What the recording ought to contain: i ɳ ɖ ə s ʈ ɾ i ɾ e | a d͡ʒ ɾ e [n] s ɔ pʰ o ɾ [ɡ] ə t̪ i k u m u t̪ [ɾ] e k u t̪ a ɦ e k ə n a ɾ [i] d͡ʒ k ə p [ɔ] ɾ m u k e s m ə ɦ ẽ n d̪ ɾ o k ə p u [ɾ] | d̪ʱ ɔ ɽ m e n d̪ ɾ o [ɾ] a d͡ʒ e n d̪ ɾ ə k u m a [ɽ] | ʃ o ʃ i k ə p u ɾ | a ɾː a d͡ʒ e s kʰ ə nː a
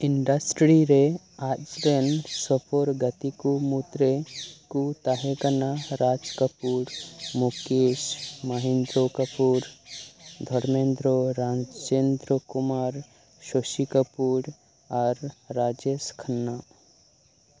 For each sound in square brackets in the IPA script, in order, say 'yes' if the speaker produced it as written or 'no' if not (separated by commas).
yes, yes, yes, no, no, yes, yes, no